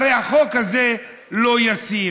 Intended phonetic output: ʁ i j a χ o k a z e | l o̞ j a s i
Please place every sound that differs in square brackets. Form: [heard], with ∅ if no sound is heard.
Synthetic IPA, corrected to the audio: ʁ [e] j a χ o k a z e | l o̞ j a s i